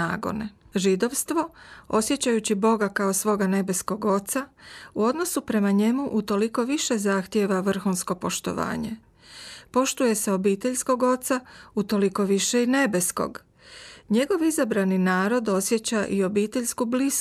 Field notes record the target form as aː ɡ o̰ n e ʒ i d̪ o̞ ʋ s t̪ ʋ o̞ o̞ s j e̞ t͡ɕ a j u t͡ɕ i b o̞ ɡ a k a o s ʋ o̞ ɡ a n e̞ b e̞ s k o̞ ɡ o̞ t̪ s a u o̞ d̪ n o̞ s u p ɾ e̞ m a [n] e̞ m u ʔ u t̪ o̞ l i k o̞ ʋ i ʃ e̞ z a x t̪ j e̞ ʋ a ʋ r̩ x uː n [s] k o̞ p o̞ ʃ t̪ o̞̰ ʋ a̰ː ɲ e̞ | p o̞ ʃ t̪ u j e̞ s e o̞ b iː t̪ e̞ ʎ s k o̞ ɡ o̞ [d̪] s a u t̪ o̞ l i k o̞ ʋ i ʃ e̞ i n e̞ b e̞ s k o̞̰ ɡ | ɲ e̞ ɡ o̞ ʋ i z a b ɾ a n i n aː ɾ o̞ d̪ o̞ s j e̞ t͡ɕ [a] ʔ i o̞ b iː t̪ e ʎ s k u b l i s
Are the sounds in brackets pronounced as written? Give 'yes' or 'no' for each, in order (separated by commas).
no, yes, no, yes